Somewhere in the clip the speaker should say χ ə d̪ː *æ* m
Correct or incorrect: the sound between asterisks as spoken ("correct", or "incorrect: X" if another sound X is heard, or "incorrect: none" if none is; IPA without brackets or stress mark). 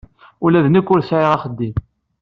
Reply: incorrect: i